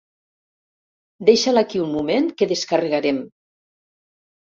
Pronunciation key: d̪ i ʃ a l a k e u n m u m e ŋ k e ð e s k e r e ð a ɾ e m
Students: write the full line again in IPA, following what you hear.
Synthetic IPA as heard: d̪ e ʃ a l a k i u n m u m e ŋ k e ð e s k a r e ɣ a ɾ e m

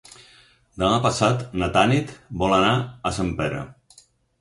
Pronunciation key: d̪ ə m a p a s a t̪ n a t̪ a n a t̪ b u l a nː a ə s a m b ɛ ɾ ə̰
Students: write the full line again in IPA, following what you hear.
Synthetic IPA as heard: d̪ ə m a p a s a t̪ n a t̪ a n i t̪ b ɔ l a n a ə s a m p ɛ ɾ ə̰

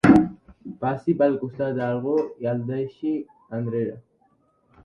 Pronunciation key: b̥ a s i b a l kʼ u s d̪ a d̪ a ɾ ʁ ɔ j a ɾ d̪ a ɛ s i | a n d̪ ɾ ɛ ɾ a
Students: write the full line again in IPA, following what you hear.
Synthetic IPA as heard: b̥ a s i b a l kʼ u s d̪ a d̪ a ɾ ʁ ɔ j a l d̪ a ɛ ʃ i | a n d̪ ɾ ɛ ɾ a

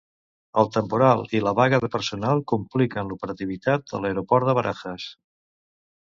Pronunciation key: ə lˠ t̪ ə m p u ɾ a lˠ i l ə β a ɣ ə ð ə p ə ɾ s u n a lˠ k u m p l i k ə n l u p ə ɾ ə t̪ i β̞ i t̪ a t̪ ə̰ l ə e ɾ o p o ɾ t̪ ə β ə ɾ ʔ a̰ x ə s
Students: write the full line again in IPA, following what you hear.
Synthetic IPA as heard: ə lˠ t̪ ə m p u ɾ a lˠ i l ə β a ɣ ə ð ə p ə ɾ s u n a lˠ k u m p l i k ə n l u p ə ɾ ə t̪ i β̞ i t̪ a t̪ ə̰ l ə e ɾ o p ɔ ɾ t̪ ə β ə ɾ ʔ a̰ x ə s

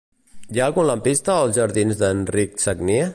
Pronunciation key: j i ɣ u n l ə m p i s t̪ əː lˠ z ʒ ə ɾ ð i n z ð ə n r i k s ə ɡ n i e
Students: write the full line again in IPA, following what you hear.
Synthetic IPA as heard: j a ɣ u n l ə m p i s t̪ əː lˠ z ʒ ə ɾ ð i n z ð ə n r i k s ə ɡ n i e

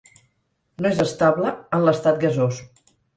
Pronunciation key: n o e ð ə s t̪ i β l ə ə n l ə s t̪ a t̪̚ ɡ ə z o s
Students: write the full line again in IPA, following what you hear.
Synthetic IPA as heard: n o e z ə s t̪ a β l ə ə n l ə s t̪ a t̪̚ ɡ ə z o s

